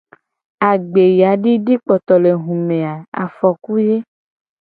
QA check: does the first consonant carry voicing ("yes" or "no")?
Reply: yes